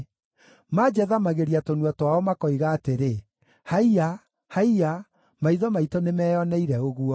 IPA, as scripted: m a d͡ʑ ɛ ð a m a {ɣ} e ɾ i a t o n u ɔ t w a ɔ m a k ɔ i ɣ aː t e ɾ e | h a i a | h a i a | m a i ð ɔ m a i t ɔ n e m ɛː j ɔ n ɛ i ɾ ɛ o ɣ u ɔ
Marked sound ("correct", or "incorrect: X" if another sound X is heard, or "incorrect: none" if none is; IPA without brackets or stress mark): correct